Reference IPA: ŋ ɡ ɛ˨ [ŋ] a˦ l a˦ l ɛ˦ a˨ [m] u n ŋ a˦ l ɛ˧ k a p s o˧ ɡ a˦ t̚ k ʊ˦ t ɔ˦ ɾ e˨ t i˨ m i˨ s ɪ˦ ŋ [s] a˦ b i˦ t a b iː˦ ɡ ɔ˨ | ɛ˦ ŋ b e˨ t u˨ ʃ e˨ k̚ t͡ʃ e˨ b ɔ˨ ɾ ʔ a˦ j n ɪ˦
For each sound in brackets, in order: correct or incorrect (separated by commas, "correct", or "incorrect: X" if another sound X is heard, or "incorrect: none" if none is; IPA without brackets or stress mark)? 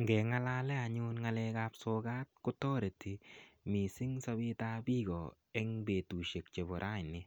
correct, incorrect: ɲ, correct